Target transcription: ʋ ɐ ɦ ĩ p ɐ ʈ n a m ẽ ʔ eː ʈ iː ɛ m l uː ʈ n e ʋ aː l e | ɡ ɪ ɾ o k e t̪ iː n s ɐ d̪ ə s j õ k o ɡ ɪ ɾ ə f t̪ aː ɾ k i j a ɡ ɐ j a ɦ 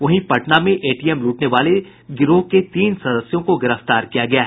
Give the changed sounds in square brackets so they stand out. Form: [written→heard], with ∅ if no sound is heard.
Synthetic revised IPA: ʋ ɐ ɦ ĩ p ɐ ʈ n a m ẽ ʔ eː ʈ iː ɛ m l uː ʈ n e ʋ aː l e | ɡ ɪ ɾ o k e t̪ iː n s ɐ d̪ ə s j õ k o ɡ ɪ ɾ ə f t̪ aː ɾ k i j a ɡ ɐ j a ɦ